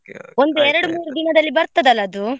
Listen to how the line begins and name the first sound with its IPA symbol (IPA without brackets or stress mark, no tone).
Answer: o̞